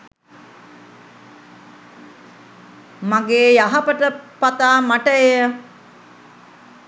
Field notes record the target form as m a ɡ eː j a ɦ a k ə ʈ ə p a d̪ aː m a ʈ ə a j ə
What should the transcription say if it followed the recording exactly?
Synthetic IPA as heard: m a ɡ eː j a ɦ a p ə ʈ ə p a t̪ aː m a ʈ ə e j ə